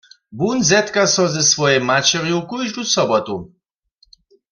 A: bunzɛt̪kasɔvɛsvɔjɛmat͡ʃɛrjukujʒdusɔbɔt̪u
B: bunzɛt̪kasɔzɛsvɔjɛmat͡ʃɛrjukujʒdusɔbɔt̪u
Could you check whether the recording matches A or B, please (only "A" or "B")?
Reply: B